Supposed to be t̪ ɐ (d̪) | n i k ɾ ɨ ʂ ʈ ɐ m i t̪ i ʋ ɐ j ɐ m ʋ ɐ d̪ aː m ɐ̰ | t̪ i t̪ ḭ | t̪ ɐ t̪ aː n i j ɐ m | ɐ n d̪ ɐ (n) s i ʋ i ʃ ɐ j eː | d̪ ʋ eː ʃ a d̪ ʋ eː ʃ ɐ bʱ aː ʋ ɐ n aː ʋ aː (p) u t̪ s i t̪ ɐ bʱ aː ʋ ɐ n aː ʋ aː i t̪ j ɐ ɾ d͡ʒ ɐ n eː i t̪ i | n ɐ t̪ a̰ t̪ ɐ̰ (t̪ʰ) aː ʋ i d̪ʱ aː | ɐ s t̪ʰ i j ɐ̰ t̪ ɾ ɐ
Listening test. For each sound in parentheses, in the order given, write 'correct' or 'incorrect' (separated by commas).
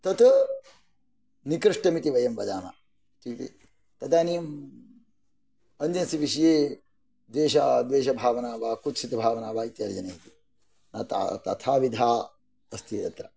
incorrect, correct, incorrect, correct